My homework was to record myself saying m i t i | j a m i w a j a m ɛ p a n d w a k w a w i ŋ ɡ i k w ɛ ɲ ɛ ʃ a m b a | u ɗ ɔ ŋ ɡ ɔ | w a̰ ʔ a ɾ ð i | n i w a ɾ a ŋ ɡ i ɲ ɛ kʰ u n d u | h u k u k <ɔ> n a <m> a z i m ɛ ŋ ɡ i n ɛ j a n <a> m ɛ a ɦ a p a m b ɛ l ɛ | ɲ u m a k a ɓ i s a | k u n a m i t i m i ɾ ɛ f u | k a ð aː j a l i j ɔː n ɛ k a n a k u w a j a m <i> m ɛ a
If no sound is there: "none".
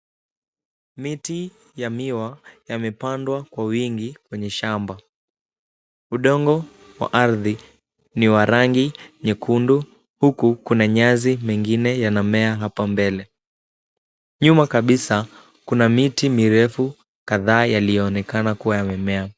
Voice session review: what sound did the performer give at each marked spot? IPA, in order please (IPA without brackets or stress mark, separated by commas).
u, ɲ, a, ɛ